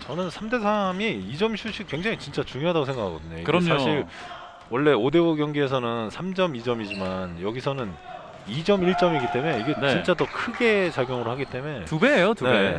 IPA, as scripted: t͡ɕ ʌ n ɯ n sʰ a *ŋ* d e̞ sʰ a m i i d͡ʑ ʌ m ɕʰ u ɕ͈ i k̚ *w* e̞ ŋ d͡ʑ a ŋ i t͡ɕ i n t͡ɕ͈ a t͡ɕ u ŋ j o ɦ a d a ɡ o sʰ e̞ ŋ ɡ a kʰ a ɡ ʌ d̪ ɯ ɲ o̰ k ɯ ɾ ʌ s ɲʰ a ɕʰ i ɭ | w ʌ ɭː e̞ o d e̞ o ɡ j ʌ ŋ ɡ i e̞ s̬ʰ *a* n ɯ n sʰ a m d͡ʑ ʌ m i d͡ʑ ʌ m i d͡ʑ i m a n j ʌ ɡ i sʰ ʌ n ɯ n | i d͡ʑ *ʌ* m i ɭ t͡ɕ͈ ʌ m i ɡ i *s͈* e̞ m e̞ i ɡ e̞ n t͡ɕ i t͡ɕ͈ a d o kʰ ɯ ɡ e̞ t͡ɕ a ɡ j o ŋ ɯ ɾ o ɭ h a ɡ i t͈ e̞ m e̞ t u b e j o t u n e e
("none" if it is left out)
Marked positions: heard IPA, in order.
m, w, ʌ, ʌ, t͈

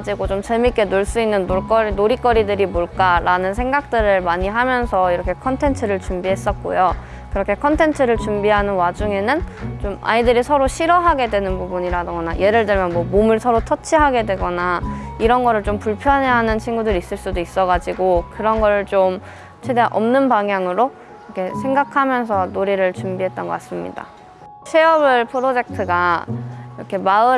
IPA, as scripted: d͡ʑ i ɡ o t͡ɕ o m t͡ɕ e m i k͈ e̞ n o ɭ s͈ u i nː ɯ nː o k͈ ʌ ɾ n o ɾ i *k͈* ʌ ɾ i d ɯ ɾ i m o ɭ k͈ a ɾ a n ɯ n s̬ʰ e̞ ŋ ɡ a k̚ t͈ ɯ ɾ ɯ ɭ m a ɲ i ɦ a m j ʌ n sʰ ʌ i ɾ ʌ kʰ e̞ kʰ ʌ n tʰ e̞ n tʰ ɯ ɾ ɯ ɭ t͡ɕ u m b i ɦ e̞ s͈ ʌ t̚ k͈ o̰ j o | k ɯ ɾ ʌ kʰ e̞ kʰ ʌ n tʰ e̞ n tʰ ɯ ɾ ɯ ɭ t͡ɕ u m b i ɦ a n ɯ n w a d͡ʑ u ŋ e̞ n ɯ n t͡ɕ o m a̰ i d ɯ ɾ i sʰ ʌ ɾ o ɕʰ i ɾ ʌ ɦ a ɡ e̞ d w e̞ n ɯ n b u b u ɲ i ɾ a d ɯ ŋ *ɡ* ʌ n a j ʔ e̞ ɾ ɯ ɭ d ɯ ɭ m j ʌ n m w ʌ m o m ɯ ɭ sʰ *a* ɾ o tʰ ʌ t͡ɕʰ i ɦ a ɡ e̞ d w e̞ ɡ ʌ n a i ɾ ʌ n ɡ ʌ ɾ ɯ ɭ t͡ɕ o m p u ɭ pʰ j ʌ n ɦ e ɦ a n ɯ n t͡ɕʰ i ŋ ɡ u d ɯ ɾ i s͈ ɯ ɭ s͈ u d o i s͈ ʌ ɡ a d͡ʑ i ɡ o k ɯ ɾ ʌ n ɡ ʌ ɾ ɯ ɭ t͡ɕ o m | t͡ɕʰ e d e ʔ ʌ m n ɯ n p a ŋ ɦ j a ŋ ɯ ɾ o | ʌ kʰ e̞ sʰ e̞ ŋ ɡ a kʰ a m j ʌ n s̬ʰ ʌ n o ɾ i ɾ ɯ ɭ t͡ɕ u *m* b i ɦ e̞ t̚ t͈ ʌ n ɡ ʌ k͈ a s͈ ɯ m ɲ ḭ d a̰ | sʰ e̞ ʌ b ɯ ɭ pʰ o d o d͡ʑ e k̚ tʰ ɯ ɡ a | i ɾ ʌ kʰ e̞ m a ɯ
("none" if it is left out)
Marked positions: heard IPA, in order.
k͈, ɡ, ʌ, m

